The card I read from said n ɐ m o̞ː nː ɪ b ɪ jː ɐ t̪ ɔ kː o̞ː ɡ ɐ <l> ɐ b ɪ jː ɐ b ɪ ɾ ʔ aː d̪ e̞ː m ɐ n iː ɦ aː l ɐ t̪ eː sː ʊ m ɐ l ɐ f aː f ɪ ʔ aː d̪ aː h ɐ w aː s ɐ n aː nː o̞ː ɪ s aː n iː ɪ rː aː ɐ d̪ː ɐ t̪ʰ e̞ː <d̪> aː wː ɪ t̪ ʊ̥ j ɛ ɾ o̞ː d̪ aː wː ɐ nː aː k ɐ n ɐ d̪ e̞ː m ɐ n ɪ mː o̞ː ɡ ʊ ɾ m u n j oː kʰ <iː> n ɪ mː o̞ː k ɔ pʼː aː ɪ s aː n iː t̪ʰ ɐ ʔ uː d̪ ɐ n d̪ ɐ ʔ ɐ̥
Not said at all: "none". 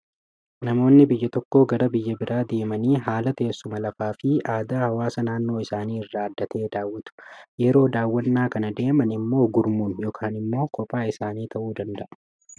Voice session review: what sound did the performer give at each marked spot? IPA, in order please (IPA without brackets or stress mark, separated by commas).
ɾ, d̪, aː